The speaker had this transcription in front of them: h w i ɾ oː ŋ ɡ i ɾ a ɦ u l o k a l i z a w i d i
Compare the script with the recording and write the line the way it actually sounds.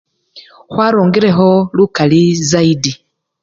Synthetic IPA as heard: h w a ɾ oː ŋ ɡ i ɾ e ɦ o l u k a l i z a i d i